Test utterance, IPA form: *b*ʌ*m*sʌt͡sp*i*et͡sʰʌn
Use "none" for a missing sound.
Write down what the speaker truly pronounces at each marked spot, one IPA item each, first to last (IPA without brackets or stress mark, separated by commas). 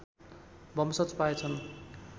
b, m, a